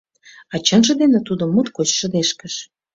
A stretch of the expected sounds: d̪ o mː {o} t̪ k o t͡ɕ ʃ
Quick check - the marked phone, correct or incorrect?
incorrect